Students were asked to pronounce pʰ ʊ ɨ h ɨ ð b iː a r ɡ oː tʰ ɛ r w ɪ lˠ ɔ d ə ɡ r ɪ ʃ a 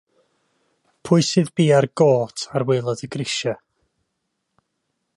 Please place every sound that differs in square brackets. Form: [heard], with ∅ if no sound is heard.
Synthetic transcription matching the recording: pʰ ʊ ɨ [s] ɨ ð b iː a r ɡ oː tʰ [a] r w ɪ lˠ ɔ d ə ɡ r ɪ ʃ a

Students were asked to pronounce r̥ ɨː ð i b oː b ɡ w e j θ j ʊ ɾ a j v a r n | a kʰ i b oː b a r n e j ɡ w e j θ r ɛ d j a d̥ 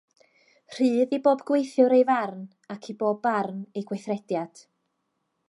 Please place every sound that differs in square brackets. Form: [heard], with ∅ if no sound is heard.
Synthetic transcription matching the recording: r̥ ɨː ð i b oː b ɡ w e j θ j ʊ ɾ [e] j v a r n | a kʰ i b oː b a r n e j ɡ w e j θ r ɛ d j a d̥

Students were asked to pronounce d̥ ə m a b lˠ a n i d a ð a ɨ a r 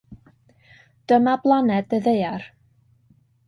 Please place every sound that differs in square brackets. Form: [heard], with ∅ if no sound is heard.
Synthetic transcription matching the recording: d̥ ə m a b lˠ a n [ɛ] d [ə] ð [e] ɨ a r

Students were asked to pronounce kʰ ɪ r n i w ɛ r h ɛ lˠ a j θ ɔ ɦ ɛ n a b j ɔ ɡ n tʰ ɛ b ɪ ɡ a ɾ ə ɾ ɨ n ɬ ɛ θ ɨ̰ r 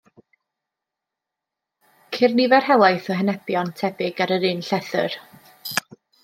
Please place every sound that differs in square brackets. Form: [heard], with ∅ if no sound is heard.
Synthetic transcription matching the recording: kʰ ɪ r n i [v] ɛ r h ɛ lˠ a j θ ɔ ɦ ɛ n [ɛ] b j ɔ [∅] n tʰ ɛ b ɪ ɡ a ɾ ə ɾ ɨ n ɬ ɛ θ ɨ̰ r

